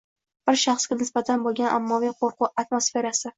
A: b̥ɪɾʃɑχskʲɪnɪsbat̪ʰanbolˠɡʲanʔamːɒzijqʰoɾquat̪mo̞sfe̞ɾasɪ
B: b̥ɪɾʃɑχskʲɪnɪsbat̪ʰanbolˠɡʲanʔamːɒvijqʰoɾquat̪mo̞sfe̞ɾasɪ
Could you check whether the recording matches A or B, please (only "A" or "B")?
B